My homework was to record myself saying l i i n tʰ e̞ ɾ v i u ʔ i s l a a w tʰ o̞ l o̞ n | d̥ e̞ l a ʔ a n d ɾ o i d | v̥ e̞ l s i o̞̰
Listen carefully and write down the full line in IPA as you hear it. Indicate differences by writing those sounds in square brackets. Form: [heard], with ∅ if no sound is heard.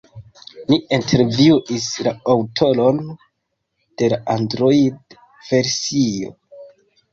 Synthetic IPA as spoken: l i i n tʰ e̞ ɾ v i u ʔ i s l a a w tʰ o̞ l o̞ n | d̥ e̞ l a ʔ a n d ɾ o i d | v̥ e̞ [ɾ] s i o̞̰